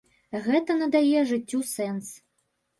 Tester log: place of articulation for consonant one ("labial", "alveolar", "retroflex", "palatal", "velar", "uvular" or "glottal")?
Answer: velar